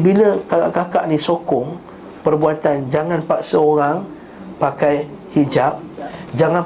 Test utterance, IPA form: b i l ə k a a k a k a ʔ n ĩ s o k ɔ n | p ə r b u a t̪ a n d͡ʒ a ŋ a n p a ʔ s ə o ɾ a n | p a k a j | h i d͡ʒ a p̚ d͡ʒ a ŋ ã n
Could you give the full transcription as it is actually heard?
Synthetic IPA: b i l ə k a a k a k a ʔ n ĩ s o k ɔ ŋ | p ə r b u a t̪ a n d͡ʒ a ŋ a n p a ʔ s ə o ɾ a ŋ | p a k a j | h i d͡ʒ a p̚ d͡ʒ a ŋ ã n